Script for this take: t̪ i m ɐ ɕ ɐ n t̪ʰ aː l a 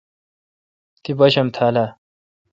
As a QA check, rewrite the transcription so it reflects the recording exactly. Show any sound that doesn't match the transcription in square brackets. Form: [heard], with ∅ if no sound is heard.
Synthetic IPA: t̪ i [b] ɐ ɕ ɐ [m] t̪ʰ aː l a